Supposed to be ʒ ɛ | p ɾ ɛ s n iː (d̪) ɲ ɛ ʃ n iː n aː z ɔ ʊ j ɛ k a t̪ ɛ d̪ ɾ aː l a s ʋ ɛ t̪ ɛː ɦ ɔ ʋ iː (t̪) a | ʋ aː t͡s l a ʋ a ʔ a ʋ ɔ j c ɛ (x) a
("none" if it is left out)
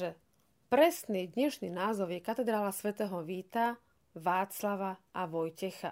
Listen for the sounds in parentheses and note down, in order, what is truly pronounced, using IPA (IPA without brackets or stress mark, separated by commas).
d̪, t̪, x